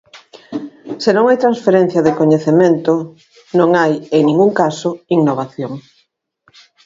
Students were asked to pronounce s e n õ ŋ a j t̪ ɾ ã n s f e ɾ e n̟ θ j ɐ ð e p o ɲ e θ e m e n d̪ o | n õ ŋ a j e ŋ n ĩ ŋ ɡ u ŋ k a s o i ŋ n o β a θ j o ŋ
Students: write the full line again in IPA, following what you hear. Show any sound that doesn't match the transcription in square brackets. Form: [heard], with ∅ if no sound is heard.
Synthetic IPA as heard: s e n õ ŋ a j t̪ ɾ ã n s f e ɾ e n̟ θ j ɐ ð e [k] o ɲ e θ e m e n [t̪] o | n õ ŋ a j e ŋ n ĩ ŋ ɡ u ŋ k a s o i ŋ n o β a θ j o ŋ